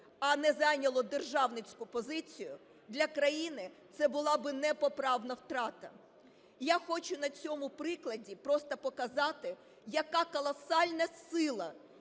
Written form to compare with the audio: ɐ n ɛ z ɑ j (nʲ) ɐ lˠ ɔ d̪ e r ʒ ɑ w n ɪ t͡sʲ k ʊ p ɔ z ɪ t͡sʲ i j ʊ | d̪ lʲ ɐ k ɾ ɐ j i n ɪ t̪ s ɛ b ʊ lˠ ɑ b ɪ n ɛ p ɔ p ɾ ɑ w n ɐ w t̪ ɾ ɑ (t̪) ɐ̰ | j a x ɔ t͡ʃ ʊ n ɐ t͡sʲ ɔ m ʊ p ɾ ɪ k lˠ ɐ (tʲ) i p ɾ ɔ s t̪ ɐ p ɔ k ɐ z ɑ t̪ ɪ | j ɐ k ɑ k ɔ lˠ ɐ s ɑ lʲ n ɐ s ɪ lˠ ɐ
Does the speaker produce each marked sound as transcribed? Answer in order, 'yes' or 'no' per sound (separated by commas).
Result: yes, yes, no